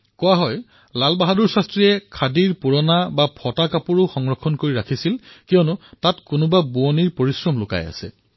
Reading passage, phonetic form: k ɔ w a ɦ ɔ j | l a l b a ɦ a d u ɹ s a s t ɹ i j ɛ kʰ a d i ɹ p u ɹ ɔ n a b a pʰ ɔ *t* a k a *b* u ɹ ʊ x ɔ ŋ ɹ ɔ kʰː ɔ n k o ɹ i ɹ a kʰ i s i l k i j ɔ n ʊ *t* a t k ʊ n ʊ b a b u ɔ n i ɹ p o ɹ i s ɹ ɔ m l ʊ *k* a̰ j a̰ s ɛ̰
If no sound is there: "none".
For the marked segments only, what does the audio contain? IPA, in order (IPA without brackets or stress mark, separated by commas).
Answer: t, p, t, k